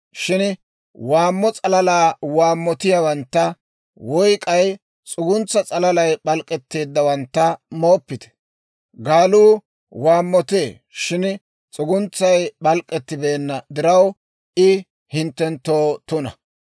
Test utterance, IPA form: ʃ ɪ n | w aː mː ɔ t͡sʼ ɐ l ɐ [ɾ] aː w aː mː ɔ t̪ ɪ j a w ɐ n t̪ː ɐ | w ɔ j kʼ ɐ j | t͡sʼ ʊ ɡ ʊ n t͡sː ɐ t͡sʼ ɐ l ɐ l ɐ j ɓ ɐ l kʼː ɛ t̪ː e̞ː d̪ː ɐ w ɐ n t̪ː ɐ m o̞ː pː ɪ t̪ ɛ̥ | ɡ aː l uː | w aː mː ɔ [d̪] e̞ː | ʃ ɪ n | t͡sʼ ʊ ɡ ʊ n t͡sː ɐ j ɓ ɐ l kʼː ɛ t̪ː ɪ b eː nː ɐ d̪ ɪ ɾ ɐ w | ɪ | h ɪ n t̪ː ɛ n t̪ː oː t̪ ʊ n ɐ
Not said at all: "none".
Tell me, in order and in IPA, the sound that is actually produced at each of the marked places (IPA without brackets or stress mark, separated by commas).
l, t̪